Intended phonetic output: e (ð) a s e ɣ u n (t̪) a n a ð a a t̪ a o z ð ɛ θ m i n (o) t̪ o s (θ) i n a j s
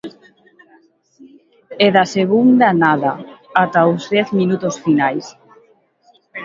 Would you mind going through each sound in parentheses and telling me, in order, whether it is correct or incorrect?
correct, incorrect: d̪, incorrect: u, incorrect: f

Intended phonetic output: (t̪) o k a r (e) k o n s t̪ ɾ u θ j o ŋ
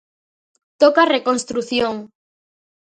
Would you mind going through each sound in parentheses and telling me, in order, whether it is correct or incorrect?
correct, correct

